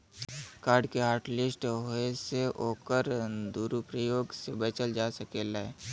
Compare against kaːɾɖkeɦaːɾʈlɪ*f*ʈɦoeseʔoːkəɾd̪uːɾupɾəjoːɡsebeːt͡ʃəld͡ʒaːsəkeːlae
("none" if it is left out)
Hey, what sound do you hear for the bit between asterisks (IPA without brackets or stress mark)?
s